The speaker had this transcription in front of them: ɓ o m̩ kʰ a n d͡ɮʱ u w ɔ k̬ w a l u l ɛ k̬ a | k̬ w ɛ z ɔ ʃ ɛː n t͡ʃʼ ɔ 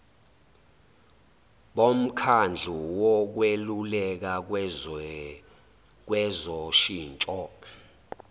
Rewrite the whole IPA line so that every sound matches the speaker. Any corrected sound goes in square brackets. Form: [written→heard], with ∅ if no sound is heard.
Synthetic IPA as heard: ɓ o m̩ kʰ a n d͡ɮʱ u w ɔ k̬ w [a→e] l u l ɛ k̬ a | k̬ w ɛ z ɔ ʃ [ɛː→iː] n t͡ʃʼ ɔ